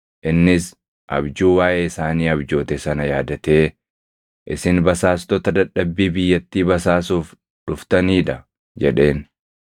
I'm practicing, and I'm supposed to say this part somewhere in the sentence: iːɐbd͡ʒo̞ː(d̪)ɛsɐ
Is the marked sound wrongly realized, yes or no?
yes